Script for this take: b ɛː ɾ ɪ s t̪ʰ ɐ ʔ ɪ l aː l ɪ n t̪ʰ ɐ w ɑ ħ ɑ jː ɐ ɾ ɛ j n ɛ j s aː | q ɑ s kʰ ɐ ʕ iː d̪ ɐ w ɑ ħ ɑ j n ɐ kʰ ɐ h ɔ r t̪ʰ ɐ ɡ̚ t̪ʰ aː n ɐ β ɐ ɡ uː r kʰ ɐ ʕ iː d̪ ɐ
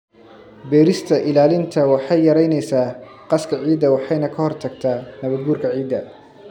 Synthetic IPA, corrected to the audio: b ɛː ɾ ɪ s t̪ʰ ɐ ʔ ɪ l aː l ɪ n t̪ʰ ɐ w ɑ ħ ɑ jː ɐ ɾ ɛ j n ɛ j s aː | q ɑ s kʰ ɐ ʕ iː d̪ ɐ w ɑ ħ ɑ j n ɐ kʰ ɐ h ɔ r t̪ʰ ɐ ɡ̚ t̪ʰ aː n ɐ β ɐ ɡ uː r kʰ ɐ ʕ iː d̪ ɐ